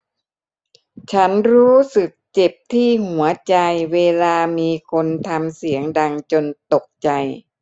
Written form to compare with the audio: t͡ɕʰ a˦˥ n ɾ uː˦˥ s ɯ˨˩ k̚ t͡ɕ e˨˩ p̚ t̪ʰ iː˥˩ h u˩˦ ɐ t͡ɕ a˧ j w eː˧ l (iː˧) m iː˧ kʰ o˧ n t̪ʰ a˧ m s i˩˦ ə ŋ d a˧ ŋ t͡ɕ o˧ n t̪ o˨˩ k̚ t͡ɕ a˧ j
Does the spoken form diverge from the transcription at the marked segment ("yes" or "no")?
yes